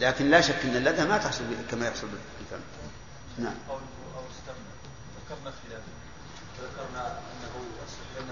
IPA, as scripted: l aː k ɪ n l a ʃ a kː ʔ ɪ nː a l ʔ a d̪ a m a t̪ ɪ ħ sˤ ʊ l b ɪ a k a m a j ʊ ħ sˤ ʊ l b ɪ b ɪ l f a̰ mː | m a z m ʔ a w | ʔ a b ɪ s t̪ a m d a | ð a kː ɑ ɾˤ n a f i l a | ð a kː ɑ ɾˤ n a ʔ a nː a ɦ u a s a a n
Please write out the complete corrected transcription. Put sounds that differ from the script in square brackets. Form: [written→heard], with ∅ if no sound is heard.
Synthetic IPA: l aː k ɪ n l a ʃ a kː ʔ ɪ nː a l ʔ a d̪ a m a t̪ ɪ ħ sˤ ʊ l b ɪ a k a m a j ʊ ħ sˤ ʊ l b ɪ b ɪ l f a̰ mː | [m→n] a [z→ʕ] m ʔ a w | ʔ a [b→w] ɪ s t̪ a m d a | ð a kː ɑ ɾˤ n a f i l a | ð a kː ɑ ɾˤ n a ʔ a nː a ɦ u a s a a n